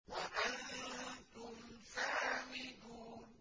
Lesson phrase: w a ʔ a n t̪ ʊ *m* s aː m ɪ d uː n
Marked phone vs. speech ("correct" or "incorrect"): correct